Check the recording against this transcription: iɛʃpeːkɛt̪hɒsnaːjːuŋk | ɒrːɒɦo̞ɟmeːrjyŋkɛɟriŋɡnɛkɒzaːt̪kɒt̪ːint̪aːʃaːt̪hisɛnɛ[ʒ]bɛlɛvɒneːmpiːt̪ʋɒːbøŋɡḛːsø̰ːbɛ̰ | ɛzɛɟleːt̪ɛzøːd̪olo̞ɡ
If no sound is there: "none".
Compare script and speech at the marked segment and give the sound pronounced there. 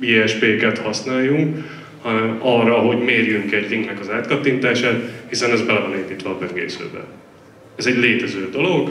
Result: z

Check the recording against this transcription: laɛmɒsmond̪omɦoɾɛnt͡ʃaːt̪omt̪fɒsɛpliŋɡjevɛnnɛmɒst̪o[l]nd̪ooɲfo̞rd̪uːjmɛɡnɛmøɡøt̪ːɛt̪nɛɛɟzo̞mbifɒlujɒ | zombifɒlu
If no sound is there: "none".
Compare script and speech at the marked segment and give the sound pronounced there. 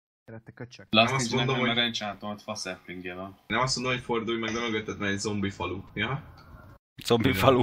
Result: none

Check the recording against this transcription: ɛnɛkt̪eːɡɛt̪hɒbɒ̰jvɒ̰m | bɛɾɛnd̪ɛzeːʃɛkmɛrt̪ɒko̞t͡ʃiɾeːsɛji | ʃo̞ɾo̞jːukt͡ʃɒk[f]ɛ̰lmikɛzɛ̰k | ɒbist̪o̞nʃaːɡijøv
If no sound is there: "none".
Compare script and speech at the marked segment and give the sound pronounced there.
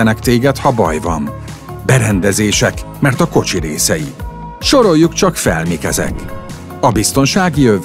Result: f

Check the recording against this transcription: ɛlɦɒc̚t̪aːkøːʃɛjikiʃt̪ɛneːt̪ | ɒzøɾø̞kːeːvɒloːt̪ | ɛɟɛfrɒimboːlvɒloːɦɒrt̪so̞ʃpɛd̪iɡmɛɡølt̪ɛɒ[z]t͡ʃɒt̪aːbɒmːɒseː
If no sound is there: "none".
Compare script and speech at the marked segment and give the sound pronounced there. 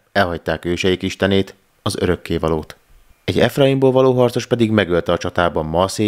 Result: none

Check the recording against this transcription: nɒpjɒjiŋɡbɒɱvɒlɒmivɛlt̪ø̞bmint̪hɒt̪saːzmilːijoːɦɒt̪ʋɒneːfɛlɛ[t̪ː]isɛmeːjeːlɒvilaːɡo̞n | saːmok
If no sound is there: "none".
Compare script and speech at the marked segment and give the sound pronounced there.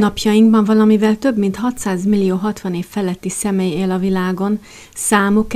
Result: t̪ː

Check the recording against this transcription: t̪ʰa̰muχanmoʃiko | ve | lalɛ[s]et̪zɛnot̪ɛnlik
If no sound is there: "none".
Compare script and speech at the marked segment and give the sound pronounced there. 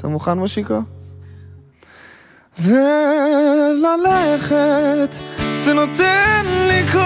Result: χ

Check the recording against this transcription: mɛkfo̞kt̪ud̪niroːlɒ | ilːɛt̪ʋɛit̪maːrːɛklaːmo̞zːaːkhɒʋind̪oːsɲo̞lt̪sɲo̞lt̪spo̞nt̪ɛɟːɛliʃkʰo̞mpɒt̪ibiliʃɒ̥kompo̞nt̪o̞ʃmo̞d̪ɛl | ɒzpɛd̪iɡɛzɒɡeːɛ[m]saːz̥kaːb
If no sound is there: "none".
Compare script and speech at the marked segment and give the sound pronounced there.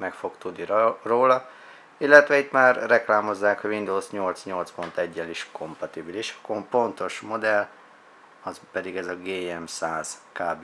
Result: m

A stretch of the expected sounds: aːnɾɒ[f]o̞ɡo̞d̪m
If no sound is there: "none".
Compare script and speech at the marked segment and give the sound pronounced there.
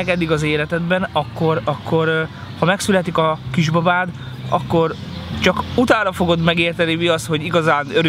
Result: f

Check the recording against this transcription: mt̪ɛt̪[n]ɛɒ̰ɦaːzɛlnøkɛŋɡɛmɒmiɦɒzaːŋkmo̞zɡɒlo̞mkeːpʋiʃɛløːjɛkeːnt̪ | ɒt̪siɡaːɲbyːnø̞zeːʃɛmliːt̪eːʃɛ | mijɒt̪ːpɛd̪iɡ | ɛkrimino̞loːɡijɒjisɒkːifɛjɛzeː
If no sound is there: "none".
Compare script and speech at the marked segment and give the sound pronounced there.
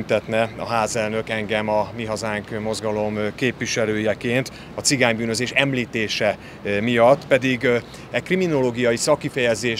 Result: n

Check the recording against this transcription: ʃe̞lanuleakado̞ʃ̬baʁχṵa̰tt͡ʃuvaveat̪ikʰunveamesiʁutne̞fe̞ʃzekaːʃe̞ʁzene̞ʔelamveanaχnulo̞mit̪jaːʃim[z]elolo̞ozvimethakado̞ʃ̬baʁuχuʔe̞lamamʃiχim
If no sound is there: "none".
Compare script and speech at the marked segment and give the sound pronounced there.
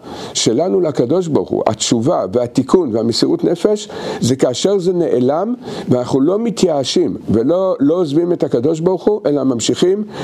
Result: v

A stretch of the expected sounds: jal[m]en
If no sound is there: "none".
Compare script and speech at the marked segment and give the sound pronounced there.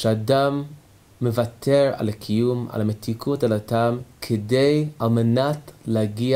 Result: m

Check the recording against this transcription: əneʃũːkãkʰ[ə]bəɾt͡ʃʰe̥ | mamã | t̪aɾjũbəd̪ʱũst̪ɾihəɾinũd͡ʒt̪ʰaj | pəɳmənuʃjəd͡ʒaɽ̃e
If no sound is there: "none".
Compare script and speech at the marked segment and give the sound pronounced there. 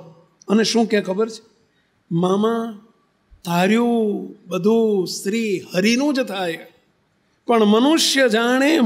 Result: ə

